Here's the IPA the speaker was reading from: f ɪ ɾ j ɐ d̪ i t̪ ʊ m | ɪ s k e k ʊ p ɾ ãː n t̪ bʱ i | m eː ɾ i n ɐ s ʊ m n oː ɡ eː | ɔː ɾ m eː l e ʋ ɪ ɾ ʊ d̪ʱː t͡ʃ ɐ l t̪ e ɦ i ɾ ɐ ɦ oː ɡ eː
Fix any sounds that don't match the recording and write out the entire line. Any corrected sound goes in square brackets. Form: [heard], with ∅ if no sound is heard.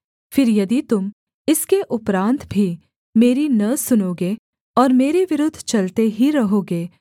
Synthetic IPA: f ɪ ɾ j ɐ d̪ i t̪ ʊ m | ɪ s k e [ʔ] ʊ p ɾ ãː n t̪ bʱ i | m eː ɾ i n ɐ s ʊ [∅] n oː ɡ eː | ɔː ɾ m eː [ɾ] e ʋ ɪ ɾ ʊ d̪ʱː t͡ʃ ɐ l t̪ e ɦ i ɾ ɐ ɦ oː ɡ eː